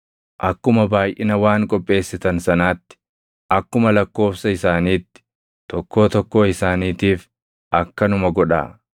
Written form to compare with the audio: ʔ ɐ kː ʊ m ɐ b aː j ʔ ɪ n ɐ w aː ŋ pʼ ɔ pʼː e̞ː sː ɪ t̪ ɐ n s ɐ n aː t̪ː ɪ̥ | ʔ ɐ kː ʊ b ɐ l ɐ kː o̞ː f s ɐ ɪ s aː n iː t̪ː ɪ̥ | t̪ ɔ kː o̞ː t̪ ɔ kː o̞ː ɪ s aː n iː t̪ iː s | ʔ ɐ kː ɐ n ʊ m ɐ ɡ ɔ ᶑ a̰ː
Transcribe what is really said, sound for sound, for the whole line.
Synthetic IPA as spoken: ʔ ɐ kː ʊ m ɐ b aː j ʔ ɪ n ɐ w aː ŋ kʼ ɔ pʼː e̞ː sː ɪ t̪ ɐ n s ɐ n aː t̪ː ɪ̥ | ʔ ɐ kː ʊ m ɐ l ɐ kː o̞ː f s ɐ ɪ s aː n iː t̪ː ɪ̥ | t̪ ɔ kː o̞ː t̪ ɔ kː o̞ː ɪ s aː n iː t̪ iː f | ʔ ɐ kː ɐ n ʊ m ɐ ɡ ɔ ᶑ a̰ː